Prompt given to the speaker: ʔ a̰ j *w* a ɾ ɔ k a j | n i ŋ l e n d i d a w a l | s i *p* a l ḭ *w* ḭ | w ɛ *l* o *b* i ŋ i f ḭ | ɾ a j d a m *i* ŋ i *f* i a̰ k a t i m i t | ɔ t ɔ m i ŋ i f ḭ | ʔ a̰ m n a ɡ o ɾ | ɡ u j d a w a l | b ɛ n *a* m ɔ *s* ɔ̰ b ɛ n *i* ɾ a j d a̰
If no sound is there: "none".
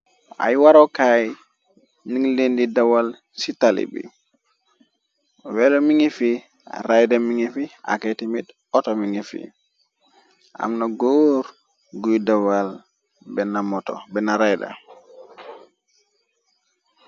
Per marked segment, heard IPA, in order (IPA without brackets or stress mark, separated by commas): w, t, b, l, m, i, f, a, t, a